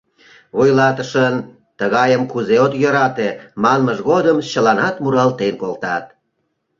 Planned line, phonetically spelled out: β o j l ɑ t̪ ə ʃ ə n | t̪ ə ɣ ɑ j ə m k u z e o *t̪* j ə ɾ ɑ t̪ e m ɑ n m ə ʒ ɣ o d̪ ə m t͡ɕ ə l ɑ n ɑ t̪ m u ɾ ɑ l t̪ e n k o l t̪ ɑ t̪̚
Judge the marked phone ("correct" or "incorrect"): correct